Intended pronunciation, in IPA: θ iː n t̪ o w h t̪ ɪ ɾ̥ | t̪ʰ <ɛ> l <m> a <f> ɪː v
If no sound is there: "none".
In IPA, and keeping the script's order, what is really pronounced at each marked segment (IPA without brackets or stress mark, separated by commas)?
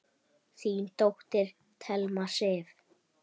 ɛ, m, s